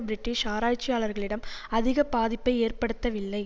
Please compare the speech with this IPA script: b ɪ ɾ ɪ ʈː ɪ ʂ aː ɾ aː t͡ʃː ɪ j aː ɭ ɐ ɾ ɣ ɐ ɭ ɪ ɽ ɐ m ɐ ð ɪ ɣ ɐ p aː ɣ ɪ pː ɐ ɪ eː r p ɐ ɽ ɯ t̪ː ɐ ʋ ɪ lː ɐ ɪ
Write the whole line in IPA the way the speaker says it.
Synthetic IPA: b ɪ ɾ ɪ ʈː ɪ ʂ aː ɾ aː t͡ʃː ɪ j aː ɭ ɐ ɾ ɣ ɐ ɭ ɪ ɽ ɐ m ɐ ð ɪ ɣ ɐ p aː ð ɪ pː ɐ ɪ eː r p ɐ ɽ ɯ t̪ː ɐ ʋ ɪ lː ɐ ɪ

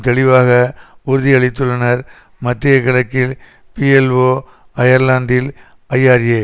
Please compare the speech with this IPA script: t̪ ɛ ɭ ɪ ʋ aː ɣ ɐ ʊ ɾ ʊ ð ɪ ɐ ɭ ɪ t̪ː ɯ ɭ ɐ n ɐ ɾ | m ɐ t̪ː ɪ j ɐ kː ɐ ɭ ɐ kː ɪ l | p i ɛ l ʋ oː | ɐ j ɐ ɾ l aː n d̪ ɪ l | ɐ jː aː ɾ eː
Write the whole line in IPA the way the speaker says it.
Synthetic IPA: t̪ ɛ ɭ ɪ ʋ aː ɣ ɐ ʊ ɾ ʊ ð ɪ ɐ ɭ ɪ t̪ː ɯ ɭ ɐ n ɐ ɾ | m ɐ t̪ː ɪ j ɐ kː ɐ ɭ ɐ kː ɪ l | p i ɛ l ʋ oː | ɐ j ɐ ɾ l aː n d̪ ɪ l | ɐ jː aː ɾ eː

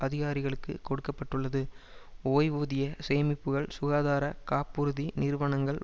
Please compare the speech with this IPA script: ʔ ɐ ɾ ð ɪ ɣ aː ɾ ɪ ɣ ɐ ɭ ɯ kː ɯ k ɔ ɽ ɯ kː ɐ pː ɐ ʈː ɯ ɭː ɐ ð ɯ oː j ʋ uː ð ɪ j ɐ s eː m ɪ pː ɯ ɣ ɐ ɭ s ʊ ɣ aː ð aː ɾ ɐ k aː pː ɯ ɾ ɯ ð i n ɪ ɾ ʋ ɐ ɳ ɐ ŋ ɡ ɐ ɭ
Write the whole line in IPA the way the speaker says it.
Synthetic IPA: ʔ ɐ ð ɪ ɣ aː ɾ ɪ ɣ ɐ ɭ ɯ kː ɯ k ɔ ɽ ɯ kː ɐ pː ɐ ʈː ɯ ɭː ɐ ð ɯ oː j ʋ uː ð ɪ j ɐ s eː m ɪ pː ɯ ɣ ɐ ɭ s ʊ ɣ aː ð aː ɾ ɐ k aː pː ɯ ɾ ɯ ð i n ɪ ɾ ʋ ɐ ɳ ɐ ŋ ɡ ɐ ɭ

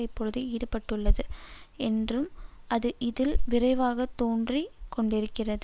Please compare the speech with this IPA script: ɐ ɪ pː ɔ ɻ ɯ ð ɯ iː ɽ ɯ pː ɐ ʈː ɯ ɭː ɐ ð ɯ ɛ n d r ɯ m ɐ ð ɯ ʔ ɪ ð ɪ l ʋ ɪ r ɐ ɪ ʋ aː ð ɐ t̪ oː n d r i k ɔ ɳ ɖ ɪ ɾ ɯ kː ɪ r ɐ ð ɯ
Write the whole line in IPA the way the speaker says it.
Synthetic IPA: ɐ ɪ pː ɔ ɻ ɯ ð ɯ iː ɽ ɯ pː ɐ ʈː ɯ ɭː ɐ ð ɯ ɛ n d r ɯ m ɐ ð ɯ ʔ ɪ ð ɪ l ʋ ɪ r ɐ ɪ ʋ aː ɣ ɐ t̪ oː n d r i k ɔ ɳ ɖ ɪ ɾ ɯ kː ɪ r ɐ ð ɯ

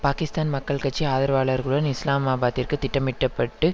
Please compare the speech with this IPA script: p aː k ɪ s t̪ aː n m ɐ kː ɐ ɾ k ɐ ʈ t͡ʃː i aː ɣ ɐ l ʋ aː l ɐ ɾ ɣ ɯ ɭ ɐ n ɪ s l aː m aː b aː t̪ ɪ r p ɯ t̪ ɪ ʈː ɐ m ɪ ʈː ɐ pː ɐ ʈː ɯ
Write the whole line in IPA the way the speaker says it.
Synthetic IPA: p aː k ɪ s t̪ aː n m ɐ kː ɐ ɭ k ɐ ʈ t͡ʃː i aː ð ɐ ɾ ʋ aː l ɐ ɾ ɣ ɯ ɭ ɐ n ɪ s l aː m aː b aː t̪ ɪ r k ɯ t̪ ɪ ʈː ɐ m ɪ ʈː ɐ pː ɐ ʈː ɯ

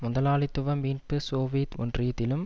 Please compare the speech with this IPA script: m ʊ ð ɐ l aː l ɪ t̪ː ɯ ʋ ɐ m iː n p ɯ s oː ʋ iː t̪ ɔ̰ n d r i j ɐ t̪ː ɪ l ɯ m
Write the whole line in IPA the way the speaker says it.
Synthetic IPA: m ʊ ð ɐ l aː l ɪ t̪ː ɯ ʋ ɐ m iː n p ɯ s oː ʋ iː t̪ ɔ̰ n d r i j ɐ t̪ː ɪ l ɯ m

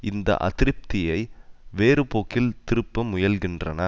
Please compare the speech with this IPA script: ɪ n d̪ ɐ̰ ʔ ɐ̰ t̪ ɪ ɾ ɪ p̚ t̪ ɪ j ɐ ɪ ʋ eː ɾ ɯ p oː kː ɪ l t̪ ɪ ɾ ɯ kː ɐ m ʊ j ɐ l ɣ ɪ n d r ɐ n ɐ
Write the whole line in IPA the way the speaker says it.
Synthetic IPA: ɪ n d̪ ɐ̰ ʔ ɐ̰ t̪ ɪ ɾ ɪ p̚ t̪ ɪ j ɐ ɪ ʋ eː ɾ ɯ p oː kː ɪ l t̪ ɪ ɾ ɯ pː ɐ m ʊ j ɐ l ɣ ɪ n d r ɐ n ɐ

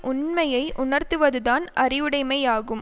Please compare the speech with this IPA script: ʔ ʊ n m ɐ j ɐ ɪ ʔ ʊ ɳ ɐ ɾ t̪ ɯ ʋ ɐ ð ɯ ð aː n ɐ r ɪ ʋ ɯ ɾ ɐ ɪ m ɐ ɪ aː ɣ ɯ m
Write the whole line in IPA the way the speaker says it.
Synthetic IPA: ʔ ʊ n m ɐ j ɐ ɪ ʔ ʊ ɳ ɐ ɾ t̪ ɯ ʋ ɐ ð ɯ ð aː n ɐ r ɪ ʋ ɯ ɽ ɐ ɪ m ɐ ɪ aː ɣ ɯ m

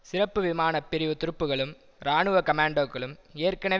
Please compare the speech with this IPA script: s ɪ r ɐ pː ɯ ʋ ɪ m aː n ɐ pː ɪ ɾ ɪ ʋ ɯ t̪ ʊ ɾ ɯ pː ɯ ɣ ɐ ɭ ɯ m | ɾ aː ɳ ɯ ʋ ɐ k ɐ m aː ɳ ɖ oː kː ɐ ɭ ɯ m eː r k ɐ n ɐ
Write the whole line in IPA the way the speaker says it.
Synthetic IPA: s ɪ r ɐ pː ɯ ʋ ɪ m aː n ɐ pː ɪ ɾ ɪ ʋ ɯ t̪ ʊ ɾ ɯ pː ɯ ɣ ɐ ɭ ɯ m | ɾ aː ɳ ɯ ʋ ɐ k ɐ m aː ɳ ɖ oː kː ɐ ɭ ɯ m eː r k ɐ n ɐ

